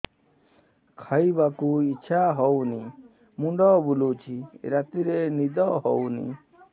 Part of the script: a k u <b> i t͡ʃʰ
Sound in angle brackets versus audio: incorrect: none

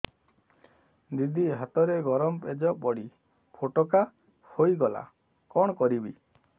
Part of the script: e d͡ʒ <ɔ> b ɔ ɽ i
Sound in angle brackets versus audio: correct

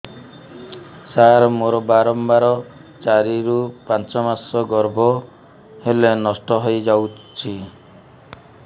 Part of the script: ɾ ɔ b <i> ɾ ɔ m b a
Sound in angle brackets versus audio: incorrect: a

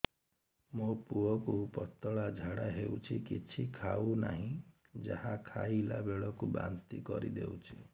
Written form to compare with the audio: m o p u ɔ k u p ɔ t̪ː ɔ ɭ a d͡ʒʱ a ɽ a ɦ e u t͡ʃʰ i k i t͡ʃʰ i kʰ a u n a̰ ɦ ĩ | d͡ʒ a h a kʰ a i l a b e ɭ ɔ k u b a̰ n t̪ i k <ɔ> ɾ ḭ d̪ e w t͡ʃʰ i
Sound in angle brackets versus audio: correct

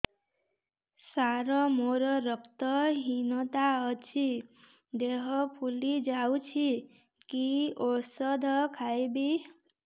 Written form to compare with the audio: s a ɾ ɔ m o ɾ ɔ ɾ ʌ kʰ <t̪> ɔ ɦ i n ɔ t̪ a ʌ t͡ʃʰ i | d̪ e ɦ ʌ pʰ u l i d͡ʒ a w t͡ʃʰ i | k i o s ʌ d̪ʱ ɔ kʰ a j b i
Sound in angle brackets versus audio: correct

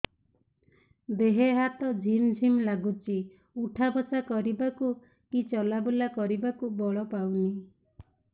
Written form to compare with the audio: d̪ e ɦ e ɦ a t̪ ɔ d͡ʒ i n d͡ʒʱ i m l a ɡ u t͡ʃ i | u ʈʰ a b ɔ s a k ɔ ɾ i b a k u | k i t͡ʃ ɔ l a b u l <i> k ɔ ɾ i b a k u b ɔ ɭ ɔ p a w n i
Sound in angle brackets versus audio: incorrect: a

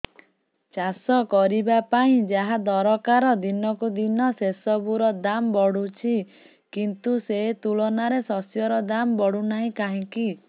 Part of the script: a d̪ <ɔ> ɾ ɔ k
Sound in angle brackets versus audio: correct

